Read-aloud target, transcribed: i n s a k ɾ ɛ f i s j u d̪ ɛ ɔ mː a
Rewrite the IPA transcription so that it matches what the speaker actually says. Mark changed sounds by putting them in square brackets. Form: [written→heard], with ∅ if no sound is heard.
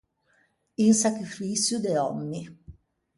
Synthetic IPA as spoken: i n s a k ɾ [ɛ→i] f i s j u d̪ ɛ ɔ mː [a→i]

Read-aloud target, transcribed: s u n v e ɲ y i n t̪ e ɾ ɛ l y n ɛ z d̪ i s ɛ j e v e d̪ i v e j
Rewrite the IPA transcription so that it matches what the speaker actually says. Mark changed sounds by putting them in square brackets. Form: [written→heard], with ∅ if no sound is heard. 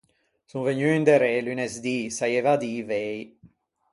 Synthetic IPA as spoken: s u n v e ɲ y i n [t̪→d̪] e ɾ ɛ l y n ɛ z d̪ i s [ɛ→a] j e v [e→a] d̪ i v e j

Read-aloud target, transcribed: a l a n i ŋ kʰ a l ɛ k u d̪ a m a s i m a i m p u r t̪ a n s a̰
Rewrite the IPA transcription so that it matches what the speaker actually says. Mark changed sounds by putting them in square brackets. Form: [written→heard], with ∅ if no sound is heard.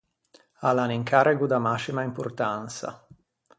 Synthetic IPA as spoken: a l a n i ŋ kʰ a [l→ɾ] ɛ [k→ɡ] u d̪ a m a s i m a i m p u r t̪ a n s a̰

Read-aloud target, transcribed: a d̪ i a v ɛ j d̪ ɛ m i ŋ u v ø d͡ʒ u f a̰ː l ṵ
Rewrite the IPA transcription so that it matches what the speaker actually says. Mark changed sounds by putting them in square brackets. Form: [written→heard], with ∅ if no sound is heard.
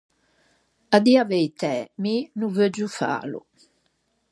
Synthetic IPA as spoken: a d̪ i a v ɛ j [d̪→t̪] ɛ m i [ŋ→n] u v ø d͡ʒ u f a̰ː l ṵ

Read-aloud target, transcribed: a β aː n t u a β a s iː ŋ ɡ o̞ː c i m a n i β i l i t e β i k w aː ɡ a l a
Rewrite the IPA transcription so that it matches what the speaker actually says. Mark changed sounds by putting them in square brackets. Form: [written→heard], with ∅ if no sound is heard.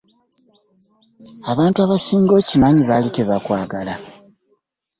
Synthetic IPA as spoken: a β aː n t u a β a s iː ŋ ɡ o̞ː c i m a [n→ɲ] i β [i→a] l i t e β [i→a] k w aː ɡ a l a

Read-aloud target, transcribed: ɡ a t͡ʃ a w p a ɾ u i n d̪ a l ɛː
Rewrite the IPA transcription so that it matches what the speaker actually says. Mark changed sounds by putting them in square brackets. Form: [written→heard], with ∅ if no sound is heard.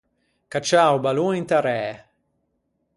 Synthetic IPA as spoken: [ɡ→k] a t͡ʃ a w [p→b] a [ɾ→l] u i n [d̪→t̪] a [l→ɾ] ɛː

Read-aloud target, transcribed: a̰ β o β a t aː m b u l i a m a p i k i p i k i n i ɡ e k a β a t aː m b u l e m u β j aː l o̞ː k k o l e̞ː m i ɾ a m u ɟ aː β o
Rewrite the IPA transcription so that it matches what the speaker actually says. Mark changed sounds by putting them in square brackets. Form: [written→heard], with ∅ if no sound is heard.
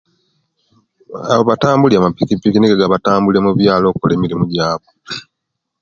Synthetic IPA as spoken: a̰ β o β a t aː m b u l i a m a p i k i p i k i n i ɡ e [k→ɡ] a β a t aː m b u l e m u β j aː l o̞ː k k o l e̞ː m i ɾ [a→i] m u ɟ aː β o

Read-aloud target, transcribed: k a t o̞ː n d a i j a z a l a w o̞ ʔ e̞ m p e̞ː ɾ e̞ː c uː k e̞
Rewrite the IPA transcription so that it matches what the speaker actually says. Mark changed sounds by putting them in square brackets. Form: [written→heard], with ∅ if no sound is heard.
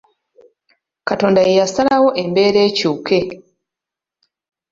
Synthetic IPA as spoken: k a t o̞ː n d a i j a [z→s] a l a w o̞ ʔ e̞ m [p→b] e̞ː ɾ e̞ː c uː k e̞

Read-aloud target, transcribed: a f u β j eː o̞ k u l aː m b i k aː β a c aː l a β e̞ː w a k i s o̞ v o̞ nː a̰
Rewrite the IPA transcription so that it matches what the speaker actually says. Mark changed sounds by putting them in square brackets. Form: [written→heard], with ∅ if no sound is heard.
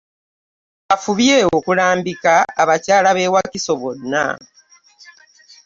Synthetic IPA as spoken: a f u β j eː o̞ k u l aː m b i k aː β a c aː l a β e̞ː w a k i s o̞ [v→β] o̞ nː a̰

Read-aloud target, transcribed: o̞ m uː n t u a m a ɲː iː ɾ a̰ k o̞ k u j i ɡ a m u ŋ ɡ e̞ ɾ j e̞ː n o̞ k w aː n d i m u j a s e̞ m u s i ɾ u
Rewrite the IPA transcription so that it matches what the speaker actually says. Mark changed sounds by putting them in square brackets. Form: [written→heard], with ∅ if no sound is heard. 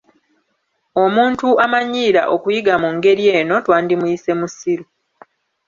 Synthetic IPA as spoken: o̞ m uː n t u a m a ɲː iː ɾ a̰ [k→ʔ] o̞ k u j i ɡ a m u ŋ ɡ e̞ ɾ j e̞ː n o̞ [k→t] w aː n d i m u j [a→i] s e̞ m u s i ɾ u

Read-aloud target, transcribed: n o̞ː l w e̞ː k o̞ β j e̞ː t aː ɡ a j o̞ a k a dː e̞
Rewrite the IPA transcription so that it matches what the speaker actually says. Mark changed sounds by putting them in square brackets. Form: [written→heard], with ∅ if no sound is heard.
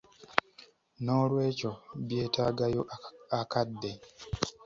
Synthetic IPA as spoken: n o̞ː l w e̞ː [k→c] o̞ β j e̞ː t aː ɡ a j o̞ a k a dː e̞

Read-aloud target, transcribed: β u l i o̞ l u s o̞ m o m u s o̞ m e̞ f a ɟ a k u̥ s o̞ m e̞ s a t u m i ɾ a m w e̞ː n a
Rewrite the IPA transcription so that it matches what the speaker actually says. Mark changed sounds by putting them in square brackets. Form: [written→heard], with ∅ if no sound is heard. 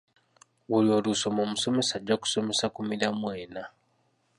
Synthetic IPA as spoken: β u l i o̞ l u s o̞ m o m u s o̞ m e̞ [f→s] a ɟ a k u̥ s o̞ m e̞ s a [t→k] u m i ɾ a m w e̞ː n a

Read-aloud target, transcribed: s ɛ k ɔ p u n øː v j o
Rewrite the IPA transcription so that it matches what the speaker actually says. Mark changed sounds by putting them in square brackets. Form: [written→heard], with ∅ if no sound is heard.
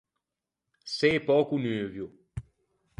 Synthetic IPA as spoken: s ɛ [k→p] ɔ [p→k] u n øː v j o

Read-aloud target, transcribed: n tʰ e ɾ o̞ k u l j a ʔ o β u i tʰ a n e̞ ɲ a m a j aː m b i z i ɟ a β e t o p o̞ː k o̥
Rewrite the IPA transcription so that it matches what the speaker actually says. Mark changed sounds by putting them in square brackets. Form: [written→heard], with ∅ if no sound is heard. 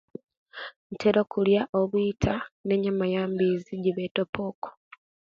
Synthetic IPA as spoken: n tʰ e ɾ o̞ k u l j a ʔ o β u i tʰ a n e̞ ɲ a m a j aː m b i z i ɟ [a→i] β e t o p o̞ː k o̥

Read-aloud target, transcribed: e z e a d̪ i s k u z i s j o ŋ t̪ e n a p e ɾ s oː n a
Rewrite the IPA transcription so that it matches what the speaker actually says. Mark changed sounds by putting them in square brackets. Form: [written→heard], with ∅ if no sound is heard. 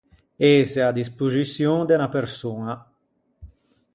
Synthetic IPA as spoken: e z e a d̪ i s [k→p] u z i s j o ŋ [t̪→d̪] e n a p e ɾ s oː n a

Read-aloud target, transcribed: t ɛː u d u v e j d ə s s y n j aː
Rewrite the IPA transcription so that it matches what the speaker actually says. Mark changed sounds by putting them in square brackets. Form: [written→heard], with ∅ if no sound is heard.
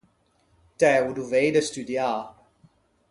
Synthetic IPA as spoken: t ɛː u d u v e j d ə s [s→t] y [n→d] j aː

